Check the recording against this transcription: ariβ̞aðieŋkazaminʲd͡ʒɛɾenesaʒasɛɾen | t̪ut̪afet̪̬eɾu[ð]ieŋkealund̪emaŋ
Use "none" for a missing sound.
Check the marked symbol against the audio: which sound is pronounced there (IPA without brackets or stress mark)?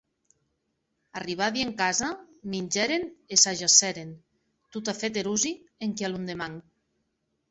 z